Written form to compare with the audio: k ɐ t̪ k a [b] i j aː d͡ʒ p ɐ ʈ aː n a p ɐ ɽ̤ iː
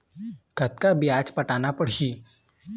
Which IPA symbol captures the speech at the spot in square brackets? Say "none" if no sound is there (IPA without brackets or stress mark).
b